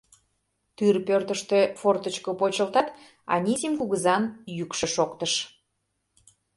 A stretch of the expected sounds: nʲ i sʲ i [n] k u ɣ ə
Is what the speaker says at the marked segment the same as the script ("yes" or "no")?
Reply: no